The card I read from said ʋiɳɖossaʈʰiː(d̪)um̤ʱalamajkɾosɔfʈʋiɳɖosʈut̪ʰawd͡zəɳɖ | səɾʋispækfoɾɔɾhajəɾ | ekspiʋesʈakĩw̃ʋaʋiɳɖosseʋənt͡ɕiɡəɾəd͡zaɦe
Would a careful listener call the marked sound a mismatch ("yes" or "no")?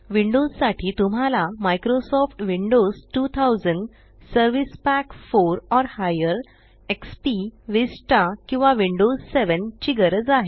yes